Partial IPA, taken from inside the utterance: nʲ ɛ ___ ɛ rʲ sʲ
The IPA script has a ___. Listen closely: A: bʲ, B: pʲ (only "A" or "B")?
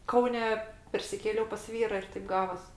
B